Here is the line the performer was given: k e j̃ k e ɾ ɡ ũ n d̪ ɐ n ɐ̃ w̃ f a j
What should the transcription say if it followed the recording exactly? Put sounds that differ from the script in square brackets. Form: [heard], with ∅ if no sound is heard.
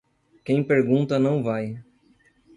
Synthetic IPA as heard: k [ẽ] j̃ [p] e ɾ ɡ ũ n [t̪] ɐ n ɐ̃ w̃ [v] a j